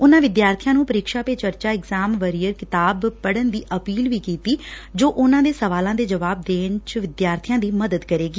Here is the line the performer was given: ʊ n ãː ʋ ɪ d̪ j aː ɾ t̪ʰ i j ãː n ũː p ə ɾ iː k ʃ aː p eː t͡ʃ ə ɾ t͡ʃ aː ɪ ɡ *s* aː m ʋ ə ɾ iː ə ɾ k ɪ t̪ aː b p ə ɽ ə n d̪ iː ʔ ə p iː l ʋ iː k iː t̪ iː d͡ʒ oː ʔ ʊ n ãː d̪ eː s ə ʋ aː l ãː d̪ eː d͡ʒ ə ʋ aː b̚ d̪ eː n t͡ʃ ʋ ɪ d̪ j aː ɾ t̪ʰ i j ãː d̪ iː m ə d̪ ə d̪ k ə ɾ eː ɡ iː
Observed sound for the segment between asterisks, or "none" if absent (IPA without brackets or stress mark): z